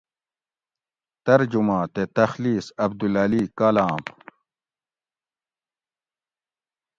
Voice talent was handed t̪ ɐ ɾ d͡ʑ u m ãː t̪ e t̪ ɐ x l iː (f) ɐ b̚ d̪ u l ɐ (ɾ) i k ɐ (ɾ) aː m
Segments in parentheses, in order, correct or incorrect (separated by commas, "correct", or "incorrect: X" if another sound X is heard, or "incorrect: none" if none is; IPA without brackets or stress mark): incorrect: s, incorrect: l, incorrect: l